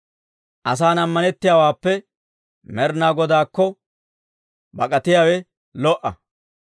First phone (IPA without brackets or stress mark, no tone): ʔ